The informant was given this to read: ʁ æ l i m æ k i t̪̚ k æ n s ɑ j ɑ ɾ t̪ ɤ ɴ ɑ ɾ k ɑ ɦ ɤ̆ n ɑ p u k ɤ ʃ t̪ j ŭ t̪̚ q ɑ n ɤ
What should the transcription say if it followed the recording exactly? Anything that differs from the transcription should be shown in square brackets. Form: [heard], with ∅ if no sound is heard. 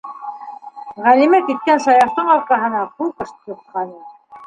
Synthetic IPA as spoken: ʁ æ l i m æ k i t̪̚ k æ n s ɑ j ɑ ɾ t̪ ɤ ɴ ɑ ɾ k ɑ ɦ ɤ̆ n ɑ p u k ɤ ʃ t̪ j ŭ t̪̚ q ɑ n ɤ